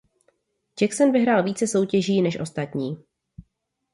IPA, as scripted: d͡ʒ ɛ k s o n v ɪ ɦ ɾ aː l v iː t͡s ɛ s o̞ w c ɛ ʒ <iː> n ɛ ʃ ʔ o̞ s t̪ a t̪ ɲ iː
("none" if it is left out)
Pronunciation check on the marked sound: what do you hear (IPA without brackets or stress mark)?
iː